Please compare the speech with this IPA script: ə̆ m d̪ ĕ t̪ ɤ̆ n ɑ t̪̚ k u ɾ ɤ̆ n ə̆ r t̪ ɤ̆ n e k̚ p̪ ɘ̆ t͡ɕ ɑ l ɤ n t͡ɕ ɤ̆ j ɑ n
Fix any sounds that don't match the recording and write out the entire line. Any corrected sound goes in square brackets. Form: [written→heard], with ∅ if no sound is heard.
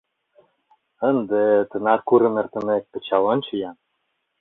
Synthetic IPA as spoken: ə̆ [m→n] d̪ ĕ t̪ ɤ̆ n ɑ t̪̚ k u ɾ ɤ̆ n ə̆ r t̪ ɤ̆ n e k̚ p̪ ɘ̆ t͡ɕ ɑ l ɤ n t͡ɕ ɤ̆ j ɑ n